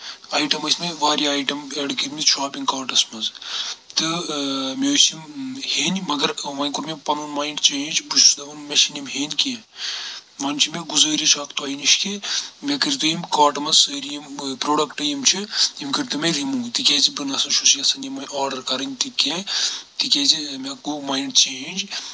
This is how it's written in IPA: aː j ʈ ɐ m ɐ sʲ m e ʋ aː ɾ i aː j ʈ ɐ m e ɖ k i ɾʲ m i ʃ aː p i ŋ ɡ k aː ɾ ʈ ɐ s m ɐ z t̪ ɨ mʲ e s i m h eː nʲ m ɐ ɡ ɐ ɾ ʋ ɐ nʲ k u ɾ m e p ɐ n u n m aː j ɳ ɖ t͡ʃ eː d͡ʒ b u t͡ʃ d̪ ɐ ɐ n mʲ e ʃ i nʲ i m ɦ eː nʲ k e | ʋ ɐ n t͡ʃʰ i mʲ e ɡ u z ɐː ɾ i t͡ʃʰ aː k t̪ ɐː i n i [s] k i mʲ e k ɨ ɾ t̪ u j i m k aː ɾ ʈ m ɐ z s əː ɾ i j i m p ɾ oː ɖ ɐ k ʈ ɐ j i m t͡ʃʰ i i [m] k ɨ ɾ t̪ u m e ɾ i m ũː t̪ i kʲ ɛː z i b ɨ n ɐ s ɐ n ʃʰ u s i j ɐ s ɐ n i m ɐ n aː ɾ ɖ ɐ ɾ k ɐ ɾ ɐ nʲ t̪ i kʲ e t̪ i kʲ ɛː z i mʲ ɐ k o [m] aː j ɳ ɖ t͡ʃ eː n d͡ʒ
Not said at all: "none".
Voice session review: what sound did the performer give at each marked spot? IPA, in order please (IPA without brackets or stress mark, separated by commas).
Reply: ʃ, m, m